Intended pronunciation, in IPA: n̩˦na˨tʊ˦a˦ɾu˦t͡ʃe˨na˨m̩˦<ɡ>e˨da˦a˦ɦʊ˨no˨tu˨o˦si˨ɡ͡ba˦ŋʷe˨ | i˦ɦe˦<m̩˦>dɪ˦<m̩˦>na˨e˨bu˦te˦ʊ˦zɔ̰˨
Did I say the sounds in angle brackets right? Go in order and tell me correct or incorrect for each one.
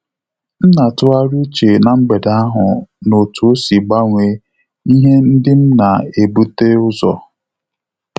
incorrect, incorrect, correct

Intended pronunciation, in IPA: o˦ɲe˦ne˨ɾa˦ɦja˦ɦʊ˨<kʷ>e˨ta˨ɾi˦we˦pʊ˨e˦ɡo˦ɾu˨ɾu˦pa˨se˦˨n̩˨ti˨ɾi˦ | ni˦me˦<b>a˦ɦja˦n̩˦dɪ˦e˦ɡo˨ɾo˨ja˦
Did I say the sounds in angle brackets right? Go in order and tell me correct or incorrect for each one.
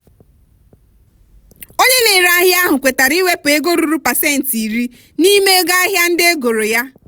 correct, incorrect

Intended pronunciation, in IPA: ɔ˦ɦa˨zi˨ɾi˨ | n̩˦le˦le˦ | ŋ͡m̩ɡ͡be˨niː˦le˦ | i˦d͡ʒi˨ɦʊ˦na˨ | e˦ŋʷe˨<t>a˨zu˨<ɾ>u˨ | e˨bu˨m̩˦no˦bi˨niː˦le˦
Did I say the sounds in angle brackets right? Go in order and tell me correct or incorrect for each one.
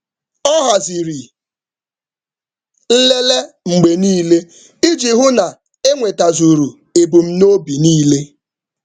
correct, correct

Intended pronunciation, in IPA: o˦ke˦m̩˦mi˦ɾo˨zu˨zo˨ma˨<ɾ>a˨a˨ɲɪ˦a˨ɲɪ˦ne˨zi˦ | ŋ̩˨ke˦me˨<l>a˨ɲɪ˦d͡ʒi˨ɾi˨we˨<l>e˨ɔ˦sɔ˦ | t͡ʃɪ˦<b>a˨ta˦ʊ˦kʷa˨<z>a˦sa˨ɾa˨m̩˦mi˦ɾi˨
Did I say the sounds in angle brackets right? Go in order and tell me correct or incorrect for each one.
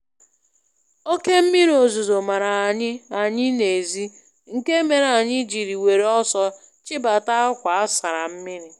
correct, incorrect, incorrect, correct, incorrect

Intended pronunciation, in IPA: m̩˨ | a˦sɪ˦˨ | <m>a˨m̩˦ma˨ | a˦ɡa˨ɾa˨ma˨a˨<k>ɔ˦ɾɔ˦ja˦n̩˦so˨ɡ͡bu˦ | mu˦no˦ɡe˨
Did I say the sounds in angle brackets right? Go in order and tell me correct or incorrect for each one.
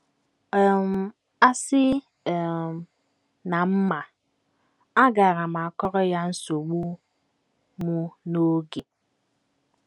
incorrect, correct

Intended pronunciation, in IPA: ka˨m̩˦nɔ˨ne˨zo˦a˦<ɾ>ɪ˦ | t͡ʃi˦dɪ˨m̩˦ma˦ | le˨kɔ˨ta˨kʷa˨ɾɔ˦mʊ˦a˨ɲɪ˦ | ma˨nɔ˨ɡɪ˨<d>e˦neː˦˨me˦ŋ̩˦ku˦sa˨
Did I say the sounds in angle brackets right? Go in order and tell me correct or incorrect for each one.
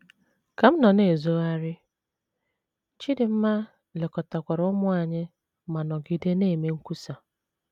correct, correct

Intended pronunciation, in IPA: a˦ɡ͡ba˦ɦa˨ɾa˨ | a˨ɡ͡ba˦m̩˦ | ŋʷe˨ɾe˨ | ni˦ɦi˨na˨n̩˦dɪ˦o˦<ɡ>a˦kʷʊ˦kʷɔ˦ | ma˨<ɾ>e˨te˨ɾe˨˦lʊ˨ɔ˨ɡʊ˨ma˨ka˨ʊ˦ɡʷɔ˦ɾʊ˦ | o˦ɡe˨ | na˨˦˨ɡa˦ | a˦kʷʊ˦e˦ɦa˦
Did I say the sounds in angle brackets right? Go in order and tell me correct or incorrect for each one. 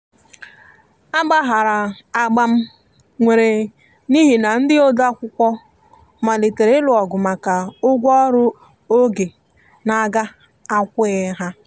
incorrect, incorrect

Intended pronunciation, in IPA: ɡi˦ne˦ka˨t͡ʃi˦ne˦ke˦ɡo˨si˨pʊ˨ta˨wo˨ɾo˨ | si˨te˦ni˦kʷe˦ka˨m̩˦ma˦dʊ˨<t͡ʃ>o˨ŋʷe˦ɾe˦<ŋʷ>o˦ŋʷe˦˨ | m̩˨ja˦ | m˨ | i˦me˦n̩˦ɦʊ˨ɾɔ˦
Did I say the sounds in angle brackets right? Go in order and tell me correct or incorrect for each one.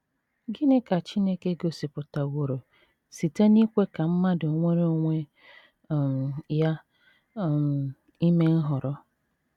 incorrect, incorrect

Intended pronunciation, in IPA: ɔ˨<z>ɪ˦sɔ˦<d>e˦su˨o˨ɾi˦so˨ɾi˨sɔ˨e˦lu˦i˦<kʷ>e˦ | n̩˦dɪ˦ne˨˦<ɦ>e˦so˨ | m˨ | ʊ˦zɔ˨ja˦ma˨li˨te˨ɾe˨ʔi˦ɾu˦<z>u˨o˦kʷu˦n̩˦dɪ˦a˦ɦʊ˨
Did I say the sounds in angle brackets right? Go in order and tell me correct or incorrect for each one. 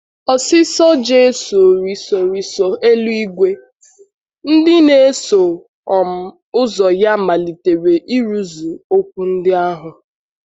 incorrect, incorrect, incorrect, incorrect, correct

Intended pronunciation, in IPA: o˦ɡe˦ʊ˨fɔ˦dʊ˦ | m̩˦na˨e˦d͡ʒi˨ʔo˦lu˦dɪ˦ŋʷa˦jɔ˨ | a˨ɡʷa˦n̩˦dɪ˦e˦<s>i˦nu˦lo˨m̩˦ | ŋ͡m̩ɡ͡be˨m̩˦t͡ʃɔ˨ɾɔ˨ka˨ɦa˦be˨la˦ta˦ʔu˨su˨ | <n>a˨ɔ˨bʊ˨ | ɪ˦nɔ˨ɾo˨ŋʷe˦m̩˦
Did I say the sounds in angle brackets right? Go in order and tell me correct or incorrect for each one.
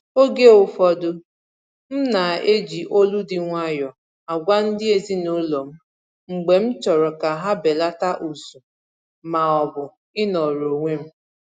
incorrect, incorrect

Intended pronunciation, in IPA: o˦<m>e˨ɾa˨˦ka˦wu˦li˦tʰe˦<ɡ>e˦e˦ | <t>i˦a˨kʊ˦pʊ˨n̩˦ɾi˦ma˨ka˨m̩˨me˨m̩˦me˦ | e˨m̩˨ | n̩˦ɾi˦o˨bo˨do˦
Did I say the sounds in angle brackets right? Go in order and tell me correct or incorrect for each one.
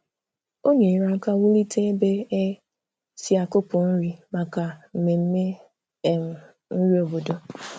incorrect, incorrect, incorrect

